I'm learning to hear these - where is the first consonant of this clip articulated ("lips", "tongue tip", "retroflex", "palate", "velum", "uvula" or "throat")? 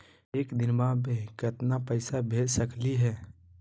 velum